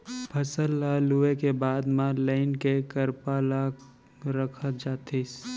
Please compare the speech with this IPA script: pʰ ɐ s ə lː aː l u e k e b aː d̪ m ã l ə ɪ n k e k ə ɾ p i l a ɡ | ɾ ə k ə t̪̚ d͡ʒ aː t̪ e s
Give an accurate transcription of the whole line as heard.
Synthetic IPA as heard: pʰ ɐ s ə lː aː l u e k e b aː d̪ m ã l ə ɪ n k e k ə ɾ p a l a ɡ | ɾ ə kʰ ə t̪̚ d͡ʒ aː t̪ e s